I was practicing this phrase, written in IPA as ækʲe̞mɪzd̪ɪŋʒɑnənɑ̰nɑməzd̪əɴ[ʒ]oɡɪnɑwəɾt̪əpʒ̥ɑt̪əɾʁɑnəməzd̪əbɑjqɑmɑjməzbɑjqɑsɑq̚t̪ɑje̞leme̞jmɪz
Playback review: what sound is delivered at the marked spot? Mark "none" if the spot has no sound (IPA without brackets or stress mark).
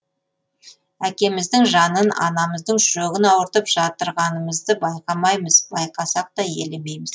ʒ